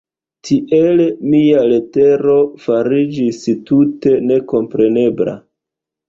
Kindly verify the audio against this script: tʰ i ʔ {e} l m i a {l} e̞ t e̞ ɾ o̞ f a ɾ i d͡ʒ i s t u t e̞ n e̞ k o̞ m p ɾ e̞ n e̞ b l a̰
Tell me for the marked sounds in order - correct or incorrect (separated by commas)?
correct, correct